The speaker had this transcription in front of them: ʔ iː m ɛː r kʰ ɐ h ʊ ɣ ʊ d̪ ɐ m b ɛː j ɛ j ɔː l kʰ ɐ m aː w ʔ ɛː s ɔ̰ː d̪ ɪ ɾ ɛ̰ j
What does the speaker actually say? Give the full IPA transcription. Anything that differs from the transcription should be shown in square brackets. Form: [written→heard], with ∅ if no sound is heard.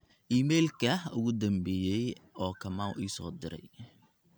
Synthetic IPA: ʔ iː m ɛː [r→l] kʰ ɐ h ʊ ɣ ʊ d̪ ɐ m b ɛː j ɛ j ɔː [l→∅] kʰ ɐ m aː w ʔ [ɛː→iː] s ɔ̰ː d̪ ɪ ɾ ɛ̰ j

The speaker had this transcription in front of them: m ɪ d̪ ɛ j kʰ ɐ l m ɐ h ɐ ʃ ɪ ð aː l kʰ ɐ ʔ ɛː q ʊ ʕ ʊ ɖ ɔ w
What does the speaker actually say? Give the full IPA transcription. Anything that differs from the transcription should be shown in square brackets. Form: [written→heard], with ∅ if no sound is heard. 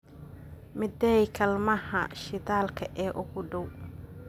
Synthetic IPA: m ɪ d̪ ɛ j kʰ ɐ l m ɐ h ɐ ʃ ɪ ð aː l kʰ ɐ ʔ ɛː [q→ʔ] ʊ [ʕ→ɣ] ʊ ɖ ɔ w

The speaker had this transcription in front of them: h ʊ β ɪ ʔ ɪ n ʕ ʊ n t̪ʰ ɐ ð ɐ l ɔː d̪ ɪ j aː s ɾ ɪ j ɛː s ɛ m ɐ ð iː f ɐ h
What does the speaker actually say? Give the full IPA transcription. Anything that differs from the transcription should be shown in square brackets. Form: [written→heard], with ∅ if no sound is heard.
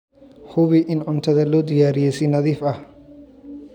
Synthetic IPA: h ʊ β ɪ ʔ ɪ n ʕ ʊ n t̪ʰ ɐ ð ɐ l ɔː d̪ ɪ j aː [s→∅] ɾ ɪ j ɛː s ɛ [m→n] ɐ ð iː f ɐ h

